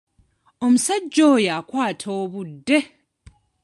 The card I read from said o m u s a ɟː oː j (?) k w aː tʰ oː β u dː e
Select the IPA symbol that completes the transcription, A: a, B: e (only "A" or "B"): A